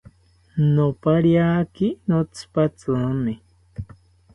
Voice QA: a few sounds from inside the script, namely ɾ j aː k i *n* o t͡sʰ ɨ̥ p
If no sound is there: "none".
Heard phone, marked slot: n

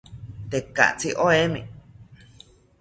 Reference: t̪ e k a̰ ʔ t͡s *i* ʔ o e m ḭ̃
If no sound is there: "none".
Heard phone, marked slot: i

